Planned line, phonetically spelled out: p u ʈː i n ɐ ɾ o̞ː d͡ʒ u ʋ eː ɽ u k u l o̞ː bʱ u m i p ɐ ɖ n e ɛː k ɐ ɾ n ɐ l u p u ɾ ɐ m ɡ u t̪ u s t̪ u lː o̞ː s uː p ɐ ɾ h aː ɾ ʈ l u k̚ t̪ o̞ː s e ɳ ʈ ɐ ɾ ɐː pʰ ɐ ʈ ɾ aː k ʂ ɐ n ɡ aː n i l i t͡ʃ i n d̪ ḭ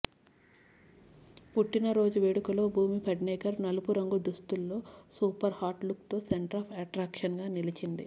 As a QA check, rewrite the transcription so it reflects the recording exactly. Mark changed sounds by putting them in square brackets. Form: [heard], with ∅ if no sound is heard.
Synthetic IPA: p u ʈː i n ɐ ɾ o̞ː d͡ʒ u ʋ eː ɽ u k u l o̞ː bʱ [uː] m i p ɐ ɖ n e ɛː k ɐ ɾ n ɐ l u p u ɾ ɐ [ŋ] ɡ u [d̪] u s t̪ u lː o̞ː s uː p ɐ ɾ h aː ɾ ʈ l u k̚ t̪ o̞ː s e ɳ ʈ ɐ ɾ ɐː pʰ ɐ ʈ ɾ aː k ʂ ɐ n ɡ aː n i l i t͡ʃ i n d̪ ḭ